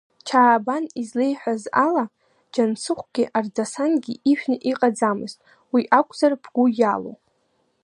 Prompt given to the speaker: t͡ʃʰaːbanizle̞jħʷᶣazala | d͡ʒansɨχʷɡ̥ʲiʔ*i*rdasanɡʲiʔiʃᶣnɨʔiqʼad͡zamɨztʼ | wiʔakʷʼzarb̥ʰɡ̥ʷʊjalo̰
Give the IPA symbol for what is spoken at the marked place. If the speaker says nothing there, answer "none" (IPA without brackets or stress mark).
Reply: a